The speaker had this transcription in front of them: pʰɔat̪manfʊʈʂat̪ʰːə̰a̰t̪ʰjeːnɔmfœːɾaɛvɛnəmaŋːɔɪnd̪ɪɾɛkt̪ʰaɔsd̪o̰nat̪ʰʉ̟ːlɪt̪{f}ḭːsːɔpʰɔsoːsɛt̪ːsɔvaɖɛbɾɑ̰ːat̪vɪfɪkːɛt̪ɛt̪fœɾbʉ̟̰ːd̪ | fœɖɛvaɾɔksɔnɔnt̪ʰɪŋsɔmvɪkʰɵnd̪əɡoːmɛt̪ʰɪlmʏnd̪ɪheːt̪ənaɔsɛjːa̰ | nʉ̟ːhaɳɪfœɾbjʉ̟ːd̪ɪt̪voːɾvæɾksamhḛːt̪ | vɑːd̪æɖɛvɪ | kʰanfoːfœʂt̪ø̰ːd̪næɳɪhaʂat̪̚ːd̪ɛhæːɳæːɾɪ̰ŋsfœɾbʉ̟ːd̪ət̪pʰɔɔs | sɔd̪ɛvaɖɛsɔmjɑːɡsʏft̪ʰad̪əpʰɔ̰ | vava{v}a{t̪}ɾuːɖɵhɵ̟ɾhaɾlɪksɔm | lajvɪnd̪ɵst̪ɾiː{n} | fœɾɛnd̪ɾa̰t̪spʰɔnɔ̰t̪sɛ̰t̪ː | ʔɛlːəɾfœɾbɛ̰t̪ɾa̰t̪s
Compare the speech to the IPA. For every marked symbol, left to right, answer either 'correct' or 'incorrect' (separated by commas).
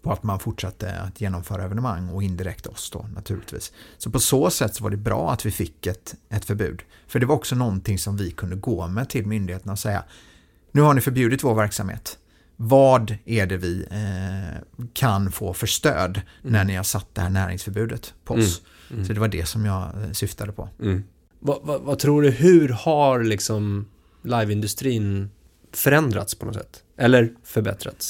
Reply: incorrect, correct, incorrect, correct